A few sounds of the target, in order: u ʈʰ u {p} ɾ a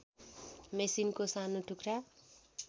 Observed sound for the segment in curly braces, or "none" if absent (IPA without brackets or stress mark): k